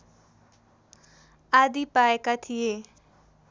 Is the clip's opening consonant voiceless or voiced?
voiced